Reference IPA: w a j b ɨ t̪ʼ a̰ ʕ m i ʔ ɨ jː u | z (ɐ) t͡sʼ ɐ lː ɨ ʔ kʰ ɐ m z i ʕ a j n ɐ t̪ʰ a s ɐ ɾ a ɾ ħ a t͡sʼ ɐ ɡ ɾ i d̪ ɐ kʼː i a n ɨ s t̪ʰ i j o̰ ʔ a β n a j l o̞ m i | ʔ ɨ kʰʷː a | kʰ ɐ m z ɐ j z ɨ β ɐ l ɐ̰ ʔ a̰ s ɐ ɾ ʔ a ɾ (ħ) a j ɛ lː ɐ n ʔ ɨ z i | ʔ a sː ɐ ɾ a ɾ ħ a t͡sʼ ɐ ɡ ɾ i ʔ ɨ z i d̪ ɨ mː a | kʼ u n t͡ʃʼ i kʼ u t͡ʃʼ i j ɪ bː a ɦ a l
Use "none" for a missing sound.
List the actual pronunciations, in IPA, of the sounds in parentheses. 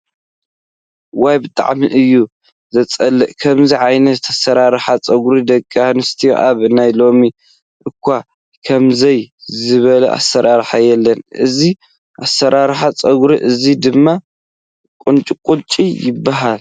ɐ, ħ

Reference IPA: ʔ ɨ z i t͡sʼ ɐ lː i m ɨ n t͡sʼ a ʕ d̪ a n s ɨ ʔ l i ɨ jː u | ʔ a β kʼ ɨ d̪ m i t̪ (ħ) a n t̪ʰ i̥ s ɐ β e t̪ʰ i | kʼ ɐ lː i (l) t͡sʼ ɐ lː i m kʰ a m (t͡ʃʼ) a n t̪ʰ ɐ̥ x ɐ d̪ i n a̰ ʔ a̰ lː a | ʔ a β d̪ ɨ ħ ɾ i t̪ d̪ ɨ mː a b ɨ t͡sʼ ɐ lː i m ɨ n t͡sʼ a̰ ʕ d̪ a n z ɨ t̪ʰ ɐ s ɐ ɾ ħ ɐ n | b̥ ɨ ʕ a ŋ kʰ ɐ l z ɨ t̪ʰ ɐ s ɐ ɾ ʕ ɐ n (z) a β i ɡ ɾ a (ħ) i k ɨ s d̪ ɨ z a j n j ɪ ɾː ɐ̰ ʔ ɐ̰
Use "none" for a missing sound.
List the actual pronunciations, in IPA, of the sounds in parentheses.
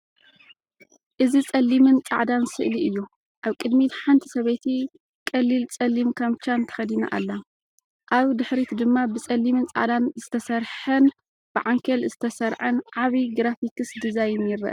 ħ, l, t͡ʃ, ʕ, f

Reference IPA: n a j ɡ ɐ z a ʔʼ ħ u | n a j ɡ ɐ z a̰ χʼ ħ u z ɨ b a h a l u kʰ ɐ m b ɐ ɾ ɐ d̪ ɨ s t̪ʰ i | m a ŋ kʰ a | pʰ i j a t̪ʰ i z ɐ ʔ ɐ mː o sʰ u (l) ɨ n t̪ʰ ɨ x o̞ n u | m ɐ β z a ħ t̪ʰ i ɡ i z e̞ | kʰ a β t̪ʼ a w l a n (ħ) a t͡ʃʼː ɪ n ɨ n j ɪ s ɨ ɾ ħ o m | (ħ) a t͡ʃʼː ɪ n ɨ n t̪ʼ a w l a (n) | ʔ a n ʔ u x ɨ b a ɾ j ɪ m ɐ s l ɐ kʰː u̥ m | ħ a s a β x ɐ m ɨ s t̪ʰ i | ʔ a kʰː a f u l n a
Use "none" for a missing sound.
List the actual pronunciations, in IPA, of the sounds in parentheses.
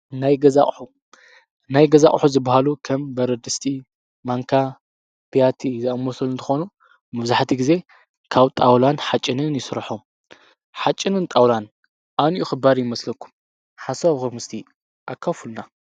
l, ħ, ħ, n

